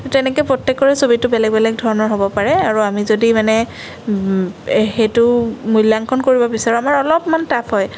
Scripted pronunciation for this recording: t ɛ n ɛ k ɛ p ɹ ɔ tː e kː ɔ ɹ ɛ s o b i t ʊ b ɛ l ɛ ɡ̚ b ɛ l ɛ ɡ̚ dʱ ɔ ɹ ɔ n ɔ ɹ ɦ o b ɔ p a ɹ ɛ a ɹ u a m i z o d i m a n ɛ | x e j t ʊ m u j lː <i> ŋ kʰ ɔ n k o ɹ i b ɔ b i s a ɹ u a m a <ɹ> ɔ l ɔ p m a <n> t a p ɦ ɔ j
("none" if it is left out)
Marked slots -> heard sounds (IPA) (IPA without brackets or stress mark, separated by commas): a, ɹ, n